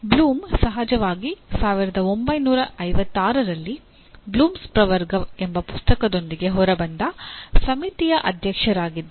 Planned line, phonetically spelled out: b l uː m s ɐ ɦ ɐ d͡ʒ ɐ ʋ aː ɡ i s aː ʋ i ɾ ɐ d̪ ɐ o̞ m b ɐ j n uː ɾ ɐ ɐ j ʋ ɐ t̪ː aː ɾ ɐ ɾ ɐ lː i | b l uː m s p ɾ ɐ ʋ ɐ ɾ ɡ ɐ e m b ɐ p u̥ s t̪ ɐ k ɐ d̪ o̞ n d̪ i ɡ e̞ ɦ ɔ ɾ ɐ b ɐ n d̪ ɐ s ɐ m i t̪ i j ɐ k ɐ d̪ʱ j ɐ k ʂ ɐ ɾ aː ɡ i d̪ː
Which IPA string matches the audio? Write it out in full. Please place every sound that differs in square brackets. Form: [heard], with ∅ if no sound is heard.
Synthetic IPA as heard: b l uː m s ɐ ɦ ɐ d͡ʒ ɐ ʋ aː ɡ i s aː ʋ i ɾ ɐ d̪ ɐ o̞ m b ɐ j n uː ɾ ɐ ɐ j ʋ ɐ t̪ː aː ɾ ɐ ɾ ɐ lː i | b l uː m s p ɾ ɐ ʋ ɐ ɾ ɡ ɐ e m b ɐ p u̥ s t̪ ɐ k ɐ d̪ o̞ n d̪ i ɡ e̞ ɦ ɔ ɾ ɐ b ɐ n d̪ ɐ s ɐ m i t̪ i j ɐ [ʔ] ɐ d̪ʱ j ɐ k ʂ ɐ ɾ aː ɡ i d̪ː